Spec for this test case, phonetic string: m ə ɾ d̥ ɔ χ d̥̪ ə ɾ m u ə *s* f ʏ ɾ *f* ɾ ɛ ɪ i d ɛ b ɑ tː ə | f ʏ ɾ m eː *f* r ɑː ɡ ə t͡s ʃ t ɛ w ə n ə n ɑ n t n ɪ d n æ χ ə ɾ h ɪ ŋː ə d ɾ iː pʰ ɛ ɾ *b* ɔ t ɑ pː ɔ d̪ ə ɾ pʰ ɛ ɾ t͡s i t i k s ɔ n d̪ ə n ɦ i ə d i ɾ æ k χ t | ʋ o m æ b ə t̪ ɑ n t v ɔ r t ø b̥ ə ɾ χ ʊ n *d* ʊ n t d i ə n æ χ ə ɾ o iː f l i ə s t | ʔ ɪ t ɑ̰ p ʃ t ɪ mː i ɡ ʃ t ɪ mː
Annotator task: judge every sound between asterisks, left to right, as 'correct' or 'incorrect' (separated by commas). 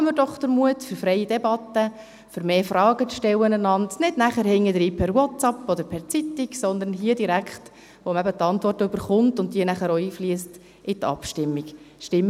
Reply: incorrect, correct, correct, incorrect, incorrect